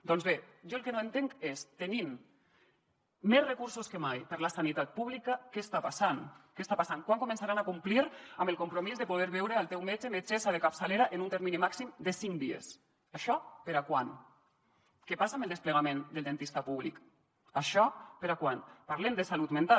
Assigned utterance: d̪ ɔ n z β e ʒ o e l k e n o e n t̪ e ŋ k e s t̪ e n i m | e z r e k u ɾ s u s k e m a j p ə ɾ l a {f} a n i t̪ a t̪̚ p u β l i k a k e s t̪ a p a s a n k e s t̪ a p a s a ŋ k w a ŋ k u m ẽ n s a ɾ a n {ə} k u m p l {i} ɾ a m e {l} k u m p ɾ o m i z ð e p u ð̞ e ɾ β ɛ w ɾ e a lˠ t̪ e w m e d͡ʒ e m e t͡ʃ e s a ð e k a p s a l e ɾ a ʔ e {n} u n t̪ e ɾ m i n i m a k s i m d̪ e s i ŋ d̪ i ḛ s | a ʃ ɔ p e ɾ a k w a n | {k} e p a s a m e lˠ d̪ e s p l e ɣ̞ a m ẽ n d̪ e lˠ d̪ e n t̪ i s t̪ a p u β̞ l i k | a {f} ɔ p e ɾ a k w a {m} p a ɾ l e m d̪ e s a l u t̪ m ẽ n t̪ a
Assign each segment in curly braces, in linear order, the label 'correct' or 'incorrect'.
incorrect: s, incorrect: a, correct, correct, correct, correct, incorrect: ʃ, incorrect: n

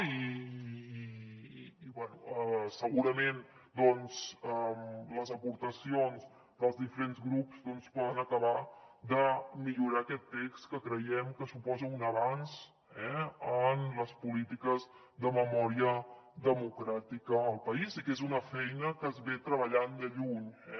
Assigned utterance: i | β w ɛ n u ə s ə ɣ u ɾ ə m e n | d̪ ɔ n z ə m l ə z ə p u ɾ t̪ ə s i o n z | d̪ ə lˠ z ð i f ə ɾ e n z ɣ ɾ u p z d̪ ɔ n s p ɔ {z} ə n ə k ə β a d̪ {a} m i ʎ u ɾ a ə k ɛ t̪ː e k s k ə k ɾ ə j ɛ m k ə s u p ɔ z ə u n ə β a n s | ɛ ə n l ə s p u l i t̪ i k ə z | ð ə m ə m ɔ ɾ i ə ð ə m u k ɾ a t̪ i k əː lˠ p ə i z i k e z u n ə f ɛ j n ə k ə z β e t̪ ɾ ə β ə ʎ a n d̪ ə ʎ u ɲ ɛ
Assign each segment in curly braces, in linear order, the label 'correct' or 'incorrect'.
incorrect: ð, incorrect: ə

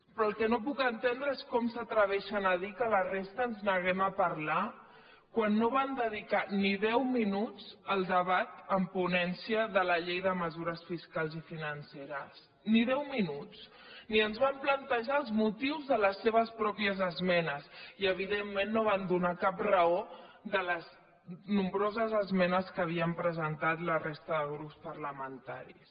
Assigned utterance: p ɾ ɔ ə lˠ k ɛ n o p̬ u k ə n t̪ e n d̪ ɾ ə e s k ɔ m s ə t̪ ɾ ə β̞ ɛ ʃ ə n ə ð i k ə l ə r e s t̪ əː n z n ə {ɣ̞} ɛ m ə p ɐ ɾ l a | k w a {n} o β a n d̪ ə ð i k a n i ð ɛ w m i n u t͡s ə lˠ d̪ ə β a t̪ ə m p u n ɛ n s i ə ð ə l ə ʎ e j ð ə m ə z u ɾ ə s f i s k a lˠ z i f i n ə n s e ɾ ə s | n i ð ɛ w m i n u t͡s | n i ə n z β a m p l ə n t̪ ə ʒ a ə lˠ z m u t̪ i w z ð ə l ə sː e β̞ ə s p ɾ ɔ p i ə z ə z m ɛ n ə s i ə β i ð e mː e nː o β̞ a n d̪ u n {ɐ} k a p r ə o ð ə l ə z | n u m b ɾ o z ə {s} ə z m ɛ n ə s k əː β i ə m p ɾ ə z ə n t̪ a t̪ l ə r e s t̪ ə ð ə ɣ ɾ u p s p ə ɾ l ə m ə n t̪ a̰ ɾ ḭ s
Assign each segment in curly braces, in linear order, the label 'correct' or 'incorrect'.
correct, incorrect: nː, incorrect: a, incorrect: z

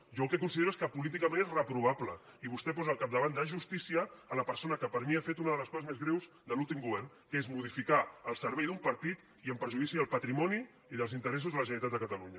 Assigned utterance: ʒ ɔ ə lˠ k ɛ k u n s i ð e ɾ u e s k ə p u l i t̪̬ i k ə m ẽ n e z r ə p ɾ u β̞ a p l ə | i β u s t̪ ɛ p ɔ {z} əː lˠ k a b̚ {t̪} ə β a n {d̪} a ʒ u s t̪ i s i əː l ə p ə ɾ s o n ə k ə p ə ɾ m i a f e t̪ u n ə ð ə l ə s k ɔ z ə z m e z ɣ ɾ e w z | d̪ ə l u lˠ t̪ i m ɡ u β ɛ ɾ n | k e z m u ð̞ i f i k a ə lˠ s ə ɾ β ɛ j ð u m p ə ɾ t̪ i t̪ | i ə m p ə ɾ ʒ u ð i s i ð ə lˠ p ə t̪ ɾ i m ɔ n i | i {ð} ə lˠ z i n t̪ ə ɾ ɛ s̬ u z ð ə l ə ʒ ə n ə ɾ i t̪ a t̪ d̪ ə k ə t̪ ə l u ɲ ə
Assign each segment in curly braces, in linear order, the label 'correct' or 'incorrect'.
correct, incorrect: d̪, correct, correct

